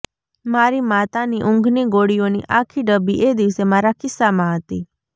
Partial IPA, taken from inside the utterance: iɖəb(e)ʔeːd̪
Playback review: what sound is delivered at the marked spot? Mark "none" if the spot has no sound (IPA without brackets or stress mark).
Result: i